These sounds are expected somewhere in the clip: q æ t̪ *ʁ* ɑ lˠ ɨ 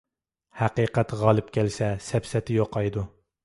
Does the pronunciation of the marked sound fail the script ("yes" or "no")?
no